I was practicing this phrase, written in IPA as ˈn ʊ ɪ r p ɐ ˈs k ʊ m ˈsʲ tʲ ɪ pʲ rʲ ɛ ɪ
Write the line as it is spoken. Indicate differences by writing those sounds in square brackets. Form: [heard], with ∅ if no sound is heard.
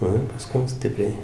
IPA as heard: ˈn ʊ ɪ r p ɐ ˈs k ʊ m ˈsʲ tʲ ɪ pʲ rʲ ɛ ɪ

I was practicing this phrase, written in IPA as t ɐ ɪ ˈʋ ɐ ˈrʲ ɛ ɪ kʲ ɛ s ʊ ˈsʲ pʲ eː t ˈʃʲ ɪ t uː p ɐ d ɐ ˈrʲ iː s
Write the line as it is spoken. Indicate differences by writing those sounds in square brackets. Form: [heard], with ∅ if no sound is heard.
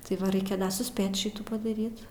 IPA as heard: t ɐ ɪ ˈʋ ɐ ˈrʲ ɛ ɪ kʲ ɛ s ʊ ˈsʲ pʲ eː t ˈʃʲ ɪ t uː p ɐ d ɐ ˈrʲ iː [t]

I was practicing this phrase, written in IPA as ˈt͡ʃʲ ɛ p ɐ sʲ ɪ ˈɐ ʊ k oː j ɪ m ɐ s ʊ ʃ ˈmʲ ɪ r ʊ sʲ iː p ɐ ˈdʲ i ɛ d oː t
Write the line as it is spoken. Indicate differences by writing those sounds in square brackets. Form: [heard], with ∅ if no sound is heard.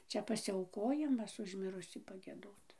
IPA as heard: ˈt͡ʃʲ ɛ p ɐ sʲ ɪ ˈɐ ʊ k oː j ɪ m ɐ s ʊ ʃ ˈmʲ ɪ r ʊ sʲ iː p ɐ [ˈɡʲ] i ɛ d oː t

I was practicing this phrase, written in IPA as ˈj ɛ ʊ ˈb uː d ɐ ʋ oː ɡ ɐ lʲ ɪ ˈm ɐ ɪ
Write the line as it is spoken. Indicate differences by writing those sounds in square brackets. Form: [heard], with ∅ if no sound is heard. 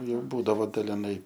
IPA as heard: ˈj ɛ ʊ ˈb uː d ɐ ʋ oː [d] ɐ lʲ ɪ [ˈn] ɐ ɪ

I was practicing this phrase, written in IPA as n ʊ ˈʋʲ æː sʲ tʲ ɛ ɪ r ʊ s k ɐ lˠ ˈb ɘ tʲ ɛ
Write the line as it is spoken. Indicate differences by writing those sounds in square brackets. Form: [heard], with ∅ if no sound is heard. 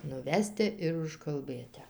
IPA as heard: n ʊ ˈʋʲ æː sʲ tʲ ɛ ɪ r ʊ [ʃ] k ɐ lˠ ˈb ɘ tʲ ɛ

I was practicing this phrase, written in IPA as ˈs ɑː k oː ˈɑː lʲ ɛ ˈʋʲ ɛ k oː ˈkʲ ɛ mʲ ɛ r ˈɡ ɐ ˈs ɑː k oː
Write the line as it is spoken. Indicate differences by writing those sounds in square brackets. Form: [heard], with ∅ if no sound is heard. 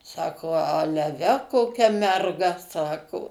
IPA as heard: ˈs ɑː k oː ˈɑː lʲ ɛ ˈʋʲ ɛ k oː ˈkʲ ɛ mʲ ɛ r ˈɡ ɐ ˈs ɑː k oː

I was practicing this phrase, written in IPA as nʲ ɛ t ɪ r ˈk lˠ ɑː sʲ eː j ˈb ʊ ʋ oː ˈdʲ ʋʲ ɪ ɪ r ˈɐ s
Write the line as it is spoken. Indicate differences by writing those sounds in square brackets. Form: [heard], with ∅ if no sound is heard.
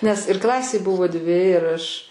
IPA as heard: nʲ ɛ [s] ɪ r ˈk lˠ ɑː sʲ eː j ˈb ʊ ʋ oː ˈdʲ ʋʲ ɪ ɪ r ˈɐ [ʃ]

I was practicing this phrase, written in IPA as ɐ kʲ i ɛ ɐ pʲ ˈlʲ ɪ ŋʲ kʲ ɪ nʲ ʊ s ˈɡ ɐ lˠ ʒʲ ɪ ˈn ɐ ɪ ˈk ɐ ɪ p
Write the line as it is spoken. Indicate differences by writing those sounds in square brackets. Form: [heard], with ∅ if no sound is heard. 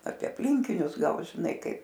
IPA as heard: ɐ [pʲ] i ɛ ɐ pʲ ˈlʲ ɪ ŋʲ kʲ ɪ nʲ ʊ s ˈɡ ɐ lˠ ʒʲ ɪ ˈn ɐ ɪ ˈk ɐ ɪ p

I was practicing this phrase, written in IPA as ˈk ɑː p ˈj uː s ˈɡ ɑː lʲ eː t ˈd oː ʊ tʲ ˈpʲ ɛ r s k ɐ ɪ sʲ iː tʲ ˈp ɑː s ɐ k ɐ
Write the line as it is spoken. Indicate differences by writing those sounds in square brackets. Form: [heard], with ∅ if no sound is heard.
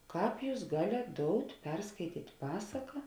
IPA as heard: ˈk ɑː p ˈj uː s ˈɡ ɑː lʲ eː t ˈd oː ʊ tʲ ˈpʲ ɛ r s k ɐ ɪ [tʲ] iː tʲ ˈp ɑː s ɐ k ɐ

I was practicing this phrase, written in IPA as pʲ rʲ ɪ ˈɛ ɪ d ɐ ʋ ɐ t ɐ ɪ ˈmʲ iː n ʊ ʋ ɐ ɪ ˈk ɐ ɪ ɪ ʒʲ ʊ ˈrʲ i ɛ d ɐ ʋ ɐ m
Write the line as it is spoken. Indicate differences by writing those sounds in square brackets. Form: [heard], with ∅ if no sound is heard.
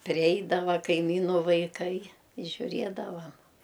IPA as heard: pʲ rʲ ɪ ˈɛ ɪ d ɐ ʋ ɐ [k] ɐ ɪ ˈmʲ iː n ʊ ʋ ɐ ɪ ˈk ɐ ɪ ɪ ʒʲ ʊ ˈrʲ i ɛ d ɐ ʋ ɐ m

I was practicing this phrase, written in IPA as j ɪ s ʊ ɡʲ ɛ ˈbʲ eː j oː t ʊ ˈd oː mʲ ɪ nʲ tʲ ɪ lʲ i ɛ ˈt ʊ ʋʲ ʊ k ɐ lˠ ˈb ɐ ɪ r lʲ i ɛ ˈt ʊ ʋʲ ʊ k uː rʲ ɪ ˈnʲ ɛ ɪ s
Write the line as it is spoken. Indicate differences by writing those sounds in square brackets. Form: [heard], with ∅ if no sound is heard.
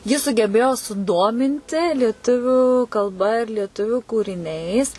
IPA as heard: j ɪ s ʊ ɡʲ ɛ ˈbʲ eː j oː [s] ʊ ˈd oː mʲ ɪ nʲ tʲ ɪ lʲ i ɛ ˈt ʊ ʋʲ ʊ k ɐ lˠ ˈb ɐ ɪ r lʲ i ɛ ˈt ʊ ʋʲ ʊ k uː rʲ ɪ ˈnʲ ɛ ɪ s

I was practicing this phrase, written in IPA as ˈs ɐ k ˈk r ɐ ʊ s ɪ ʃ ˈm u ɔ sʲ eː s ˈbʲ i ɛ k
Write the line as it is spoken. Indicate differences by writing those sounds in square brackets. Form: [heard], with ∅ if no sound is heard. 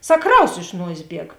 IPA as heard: ˈs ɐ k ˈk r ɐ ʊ s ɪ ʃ [ˈn] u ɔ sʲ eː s ˈbʲ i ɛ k

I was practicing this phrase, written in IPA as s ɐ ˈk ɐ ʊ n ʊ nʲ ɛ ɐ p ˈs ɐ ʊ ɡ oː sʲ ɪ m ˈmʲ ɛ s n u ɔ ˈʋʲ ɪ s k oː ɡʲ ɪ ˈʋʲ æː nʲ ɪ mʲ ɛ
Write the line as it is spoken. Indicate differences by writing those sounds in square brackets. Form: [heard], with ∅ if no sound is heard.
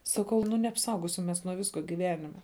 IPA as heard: s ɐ ˈk ɐ ʊ n ʊ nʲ ɛ ɐ p ˈs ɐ ʊ ɡ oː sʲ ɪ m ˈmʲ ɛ s n u ɔ ˈʋʲ ɪ s k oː ɡʲ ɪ ˈʋʲ æː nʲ ɪ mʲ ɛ

